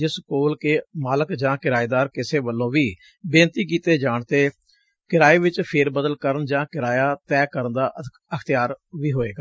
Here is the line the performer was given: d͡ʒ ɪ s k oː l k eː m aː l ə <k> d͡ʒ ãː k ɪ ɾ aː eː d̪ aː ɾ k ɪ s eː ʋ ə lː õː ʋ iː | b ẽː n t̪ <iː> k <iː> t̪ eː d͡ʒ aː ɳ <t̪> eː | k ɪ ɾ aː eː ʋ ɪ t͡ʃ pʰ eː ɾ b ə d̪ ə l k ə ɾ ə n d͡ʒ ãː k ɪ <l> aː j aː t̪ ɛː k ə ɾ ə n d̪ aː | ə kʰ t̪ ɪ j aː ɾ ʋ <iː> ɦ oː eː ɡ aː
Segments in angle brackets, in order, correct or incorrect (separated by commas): correct, correct, correct, correct, incorrect, correct